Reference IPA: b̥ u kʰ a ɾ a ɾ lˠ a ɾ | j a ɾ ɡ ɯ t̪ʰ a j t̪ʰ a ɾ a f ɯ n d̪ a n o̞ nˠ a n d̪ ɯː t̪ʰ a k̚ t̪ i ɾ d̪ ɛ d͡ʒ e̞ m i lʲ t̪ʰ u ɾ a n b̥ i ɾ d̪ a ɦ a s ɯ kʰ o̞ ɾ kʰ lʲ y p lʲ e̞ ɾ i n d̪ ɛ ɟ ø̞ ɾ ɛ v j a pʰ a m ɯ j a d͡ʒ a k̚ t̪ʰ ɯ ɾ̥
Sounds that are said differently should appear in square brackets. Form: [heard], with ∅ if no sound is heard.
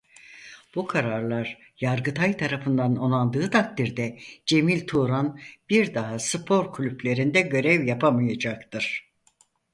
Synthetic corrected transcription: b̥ u kʰ a ɾ a ɾ lˠ a ɾ | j a ɾ ɡ ɯ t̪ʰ a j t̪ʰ a ɾ a f ɯ n d̪ a n o̞ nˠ a n d̪ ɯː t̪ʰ a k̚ t̪ i ɾ d̪ ɛ d͡ʒ e̞ m i lʲ t̪ʰ u ɾ a n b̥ i ɾ d̪ a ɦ a s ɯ [pʰ] o̞ ɾ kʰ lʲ y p lʲ e̞ ɾ i n d̪ ɛ ɟ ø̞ ɾ ɛ v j a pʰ a m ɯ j a d͡ʒ a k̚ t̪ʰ ɯ ɾ̥